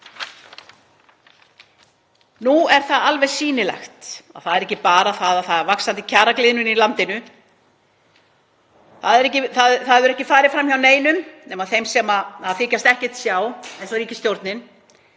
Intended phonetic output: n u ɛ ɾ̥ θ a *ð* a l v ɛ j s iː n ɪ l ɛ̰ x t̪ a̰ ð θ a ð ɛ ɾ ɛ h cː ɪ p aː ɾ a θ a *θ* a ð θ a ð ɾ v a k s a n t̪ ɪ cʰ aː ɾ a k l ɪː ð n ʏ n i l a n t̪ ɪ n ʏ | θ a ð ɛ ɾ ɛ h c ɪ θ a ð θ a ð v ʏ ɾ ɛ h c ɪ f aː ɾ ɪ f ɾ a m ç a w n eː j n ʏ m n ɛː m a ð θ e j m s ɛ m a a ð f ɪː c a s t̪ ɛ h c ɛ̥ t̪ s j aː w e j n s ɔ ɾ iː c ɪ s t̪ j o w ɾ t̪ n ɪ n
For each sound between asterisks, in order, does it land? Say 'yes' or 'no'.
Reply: yes, no

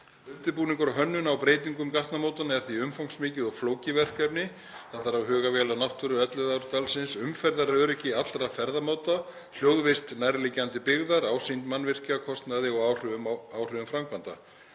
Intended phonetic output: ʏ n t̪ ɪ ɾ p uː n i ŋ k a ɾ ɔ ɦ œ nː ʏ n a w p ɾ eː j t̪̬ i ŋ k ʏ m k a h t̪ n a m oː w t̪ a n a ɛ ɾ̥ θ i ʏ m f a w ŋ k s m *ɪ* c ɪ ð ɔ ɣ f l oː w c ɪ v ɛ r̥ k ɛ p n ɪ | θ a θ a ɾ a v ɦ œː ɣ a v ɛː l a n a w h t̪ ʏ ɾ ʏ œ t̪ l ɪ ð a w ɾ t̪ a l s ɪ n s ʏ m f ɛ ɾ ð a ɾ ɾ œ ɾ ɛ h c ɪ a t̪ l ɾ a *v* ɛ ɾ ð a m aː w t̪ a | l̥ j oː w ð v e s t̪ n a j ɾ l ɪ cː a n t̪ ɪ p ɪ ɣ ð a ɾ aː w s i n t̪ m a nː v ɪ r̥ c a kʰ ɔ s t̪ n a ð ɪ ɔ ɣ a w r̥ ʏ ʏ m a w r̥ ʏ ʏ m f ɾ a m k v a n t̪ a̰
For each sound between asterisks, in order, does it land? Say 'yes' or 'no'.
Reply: no, no

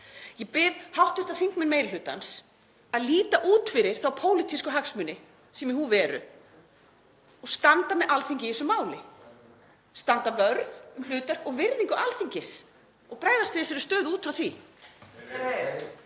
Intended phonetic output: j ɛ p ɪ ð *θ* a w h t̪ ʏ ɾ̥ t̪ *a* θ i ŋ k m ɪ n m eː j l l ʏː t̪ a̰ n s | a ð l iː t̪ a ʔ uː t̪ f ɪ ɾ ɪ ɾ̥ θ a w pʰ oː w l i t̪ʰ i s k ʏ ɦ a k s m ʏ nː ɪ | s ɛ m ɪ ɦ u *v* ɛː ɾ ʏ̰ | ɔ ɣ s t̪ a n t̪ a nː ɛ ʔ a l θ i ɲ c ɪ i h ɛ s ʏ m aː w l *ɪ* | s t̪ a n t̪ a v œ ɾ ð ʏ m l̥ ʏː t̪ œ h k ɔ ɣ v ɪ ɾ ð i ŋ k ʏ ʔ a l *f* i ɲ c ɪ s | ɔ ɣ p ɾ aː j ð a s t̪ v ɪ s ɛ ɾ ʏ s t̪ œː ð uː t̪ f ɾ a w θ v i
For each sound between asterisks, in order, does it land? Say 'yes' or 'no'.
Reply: no, yes, yes, yes, no

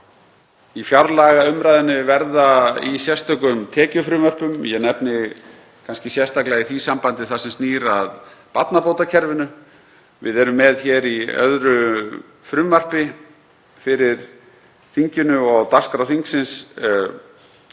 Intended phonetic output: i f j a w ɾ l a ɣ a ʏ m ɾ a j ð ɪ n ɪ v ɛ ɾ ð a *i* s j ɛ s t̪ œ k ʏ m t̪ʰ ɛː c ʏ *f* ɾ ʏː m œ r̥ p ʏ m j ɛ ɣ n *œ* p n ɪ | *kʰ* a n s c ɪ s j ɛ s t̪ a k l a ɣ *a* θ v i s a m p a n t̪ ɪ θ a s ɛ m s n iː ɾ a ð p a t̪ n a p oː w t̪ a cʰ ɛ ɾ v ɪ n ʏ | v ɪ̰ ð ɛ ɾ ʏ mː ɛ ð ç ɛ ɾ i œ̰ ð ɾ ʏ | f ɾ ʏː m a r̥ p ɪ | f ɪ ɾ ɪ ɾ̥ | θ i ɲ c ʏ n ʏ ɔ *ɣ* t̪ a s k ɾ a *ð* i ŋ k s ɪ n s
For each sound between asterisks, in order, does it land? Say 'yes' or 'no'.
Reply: yes, yes, no, yes, no, yes, no

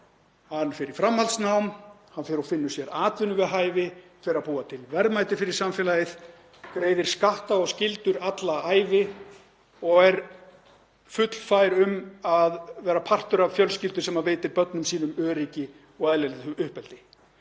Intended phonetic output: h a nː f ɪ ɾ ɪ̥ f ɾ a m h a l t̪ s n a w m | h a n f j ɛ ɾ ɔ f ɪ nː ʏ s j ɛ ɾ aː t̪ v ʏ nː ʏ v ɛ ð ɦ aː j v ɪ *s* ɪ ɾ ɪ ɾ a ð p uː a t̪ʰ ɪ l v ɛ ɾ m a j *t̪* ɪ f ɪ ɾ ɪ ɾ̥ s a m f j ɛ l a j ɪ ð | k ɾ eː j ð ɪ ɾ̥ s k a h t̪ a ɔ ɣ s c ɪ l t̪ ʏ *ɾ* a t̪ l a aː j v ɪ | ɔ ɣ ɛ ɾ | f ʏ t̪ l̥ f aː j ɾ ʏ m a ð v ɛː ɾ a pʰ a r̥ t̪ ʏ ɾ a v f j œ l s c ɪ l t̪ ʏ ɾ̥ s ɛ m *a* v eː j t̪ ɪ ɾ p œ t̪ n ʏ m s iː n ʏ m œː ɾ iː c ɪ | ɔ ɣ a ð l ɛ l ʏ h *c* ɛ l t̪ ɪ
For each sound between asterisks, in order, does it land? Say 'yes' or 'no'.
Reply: no, yes, yes, yes, no

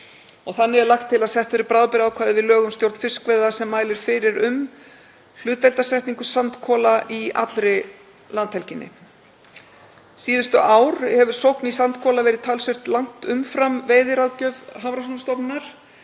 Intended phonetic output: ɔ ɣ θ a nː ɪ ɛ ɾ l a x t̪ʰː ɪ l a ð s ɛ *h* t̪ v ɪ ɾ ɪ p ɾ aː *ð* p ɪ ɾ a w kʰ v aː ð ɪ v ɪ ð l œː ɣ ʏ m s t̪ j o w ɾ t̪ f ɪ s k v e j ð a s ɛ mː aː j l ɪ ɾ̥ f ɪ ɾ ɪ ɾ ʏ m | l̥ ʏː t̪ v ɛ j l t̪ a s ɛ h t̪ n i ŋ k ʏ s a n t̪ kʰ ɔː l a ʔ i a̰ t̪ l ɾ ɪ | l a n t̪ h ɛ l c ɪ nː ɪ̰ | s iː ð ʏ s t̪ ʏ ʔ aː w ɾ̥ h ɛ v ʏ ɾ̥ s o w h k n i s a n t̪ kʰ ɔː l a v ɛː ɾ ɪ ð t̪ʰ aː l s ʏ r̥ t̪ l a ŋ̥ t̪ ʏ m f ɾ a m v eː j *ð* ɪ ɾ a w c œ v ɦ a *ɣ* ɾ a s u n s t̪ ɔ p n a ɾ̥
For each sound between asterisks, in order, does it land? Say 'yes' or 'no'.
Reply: yes, yes, yes, no

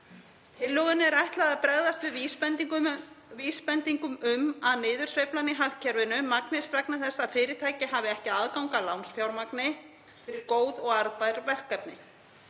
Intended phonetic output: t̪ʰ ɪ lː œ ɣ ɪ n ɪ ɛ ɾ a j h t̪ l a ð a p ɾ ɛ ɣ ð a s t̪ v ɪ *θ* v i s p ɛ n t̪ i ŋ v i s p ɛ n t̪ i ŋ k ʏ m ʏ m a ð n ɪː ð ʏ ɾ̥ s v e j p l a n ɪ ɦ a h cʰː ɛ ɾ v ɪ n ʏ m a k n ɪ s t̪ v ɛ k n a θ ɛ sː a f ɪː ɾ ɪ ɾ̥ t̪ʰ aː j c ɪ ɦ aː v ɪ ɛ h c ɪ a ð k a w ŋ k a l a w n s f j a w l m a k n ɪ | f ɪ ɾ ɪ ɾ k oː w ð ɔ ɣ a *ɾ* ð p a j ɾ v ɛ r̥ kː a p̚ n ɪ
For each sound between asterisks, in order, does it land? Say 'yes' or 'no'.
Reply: no, yes

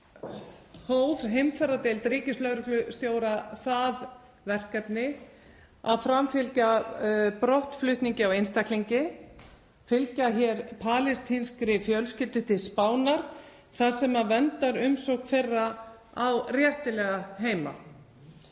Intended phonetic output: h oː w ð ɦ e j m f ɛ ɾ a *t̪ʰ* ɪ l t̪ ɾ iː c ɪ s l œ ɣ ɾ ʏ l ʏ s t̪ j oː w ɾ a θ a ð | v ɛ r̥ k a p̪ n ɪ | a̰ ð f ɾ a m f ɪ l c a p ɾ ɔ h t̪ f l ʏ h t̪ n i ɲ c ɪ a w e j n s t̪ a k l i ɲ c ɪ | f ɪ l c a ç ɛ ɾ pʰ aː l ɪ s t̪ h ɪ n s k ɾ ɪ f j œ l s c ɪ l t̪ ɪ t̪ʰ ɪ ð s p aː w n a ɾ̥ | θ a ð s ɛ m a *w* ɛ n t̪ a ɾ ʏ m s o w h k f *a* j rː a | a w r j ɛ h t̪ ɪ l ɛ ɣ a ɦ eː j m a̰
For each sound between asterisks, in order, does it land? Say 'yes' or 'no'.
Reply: no, no, no

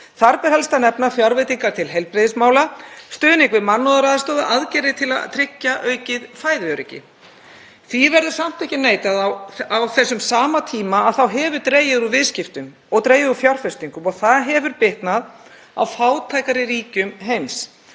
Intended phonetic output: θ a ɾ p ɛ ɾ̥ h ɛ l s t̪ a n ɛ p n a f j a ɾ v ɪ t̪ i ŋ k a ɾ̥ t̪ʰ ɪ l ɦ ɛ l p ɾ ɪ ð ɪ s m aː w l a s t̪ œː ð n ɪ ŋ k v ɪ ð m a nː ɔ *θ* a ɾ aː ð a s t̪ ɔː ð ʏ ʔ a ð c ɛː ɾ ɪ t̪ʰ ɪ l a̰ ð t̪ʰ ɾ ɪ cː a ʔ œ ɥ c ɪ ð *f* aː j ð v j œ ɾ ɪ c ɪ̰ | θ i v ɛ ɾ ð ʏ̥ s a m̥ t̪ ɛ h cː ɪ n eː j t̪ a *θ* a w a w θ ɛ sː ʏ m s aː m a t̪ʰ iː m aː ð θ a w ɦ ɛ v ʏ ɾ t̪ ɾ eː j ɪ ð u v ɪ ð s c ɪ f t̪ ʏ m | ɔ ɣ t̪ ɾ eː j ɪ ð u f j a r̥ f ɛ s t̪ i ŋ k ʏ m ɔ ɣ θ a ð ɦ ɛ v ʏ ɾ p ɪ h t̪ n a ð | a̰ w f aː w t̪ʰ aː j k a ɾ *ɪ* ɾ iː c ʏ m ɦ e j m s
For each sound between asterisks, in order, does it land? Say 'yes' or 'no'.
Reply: no, yes, no, yes

